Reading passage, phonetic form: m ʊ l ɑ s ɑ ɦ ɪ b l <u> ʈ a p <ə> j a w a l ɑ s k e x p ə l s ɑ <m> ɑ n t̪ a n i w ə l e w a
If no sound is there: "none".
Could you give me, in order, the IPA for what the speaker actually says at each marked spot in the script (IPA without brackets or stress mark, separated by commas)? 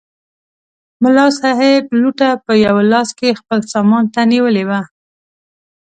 u, ə, m